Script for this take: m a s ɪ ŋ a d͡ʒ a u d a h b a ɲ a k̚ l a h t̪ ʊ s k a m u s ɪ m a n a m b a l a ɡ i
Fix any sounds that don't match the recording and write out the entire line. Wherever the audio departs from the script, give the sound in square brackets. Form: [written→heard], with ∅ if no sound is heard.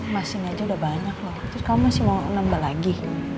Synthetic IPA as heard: m a s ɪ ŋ a d͡ʒ a u d a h b a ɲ a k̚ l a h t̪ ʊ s k a m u s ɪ m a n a m b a l a ɡ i